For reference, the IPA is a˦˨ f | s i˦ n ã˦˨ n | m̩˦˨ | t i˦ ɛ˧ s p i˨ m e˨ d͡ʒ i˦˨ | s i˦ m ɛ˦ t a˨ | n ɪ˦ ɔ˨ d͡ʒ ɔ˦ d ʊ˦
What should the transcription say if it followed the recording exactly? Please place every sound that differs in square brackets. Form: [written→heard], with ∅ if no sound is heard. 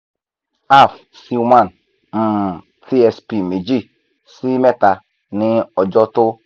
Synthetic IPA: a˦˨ f | s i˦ [n→m] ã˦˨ n | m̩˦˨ | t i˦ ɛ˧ s p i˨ m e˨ d͡ʒ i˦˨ | s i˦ m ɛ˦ t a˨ | n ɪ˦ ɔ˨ d͡ʒ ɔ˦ [d→t] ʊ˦